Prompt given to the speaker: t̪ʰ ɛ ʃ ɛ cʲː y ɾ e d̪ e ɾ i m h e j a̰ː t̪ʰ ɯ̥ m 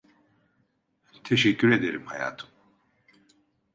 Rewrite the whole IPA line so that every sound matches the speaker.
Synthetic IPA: t̪ʰ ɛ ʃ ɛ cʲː y ɾ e d̪ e ɾ i m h a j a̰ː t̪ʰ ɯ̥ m